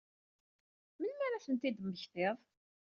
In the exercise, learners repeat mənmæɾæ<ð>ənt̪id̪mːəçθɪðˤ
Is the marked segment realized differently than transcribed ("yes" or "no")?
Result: yes